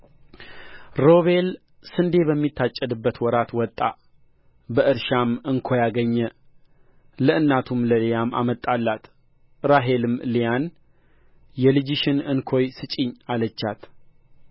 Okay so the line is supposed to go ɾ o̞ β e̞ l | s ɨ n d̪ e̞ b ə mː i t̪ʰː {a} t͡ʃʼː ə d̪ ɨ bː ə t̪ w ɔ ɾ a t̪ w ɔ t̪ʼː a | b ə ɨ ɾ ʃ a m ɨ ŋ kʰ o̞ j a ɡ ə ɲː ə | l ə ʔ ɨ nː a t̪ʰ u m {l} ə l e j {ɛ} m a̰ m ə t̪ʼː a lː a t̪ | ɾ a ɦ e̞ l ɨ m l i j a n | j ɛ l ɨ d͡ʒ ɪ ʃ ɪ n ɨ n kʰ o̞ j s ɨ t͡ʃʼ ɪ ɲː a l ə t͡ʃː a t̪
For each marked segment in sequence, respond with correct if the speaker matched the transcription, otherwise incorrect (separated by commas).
correct, correct, incorrect